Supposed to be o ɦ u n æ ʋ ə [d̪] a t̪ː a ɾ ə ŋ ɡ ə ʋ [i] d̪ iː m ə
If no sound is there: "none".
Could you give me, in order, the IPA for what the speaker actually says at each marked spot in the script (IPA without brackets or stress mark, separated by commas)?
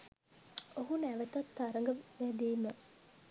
t̪, æ